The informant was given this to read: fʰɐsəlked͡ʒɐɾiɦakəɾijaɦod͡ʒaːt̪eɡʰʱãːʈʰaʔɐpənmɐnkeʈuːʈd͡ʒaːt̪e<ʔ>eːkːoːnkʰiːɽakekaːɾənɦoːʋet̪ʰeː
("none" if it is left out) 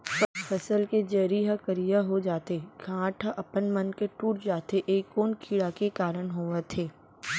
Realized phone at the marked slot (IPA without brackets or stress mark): ʔ